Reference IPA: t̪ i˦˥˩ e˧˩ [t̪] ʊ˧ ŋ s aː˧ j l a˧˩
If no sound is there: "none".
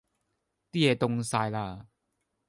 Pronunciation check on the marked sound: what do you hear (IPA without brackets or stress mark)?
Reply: t̪